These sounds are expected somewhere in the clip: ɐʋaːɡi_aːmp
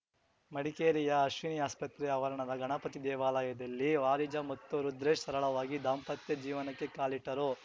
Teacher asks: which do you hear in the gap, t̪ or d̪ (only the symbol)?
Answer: d̪